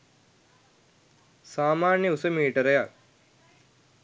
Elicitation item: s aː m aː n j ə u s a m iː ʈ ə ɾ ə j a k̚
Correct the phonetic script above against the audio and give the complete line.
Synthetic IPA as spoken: s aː m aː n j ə u s ə m iː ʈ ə ɾ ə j a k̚